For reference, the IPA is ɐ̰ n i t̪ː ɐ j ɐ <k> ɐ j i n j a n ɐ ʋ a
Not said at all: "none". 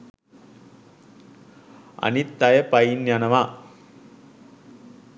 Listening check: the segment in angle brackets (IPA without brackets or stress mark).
p